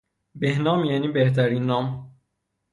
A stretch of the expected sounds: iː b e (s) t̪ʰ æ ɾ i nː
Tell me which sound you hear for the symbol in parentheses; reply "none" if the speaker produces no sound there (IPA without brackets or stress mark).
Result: h